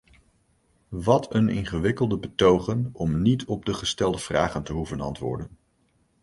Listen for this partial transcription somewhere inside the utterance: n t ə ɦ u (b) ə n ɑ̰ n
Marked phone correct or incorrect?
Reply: incorrect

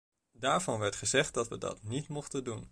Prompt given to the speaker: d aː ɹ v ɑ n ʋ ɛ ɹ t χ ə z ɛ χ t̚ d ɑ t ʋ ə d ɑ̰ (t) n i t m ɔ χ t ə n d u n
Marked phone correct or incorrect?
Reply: correct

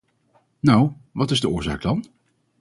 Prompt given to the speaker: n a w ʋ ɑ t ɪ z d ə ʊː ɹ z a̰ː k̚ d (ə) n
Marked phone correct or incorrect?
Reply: incorrect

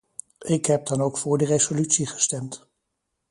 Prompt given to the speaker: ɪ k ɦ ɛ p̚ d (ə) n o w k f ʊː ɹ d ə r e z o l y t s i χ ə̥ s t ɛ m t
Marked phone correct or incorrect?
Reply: incorrect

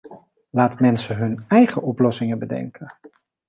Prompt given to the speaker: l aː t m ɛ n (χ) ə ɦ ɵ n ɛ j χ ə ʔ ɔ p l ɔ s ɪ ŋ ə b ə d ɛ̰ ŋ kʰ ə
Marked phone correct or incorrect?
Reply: incorrect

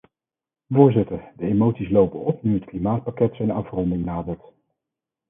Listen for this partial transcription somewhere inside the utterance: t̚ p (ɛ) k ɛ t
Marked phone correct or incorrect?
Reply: incorrect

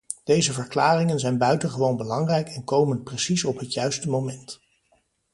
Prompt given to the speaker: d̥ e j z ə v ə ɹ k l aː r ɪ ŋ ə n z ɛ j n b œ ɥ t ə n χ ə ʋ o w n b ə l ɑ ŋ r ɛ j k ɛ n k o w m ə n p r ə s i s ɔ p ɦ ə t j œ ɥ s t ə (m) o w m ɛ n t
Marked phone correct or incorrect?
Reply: correct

